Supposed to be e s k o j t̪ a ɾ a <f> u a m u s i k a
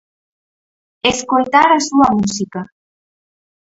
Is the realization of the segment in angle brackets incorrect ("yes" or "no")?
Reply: yes